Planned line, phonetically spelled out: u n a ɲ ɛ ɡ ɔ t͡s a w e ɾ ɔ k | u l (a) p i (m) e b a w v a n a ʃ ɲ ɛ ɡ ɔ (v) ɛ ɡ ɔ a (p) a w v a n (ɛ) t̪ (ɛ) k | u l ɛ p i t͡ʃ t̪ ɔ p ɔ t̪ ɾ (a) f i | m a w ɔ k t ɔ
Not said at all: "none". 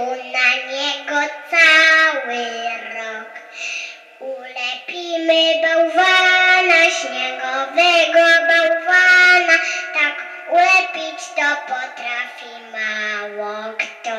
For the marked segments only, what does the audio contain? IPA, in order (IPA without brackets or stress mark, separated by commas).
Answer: ɛ, m, v, b, a, a, a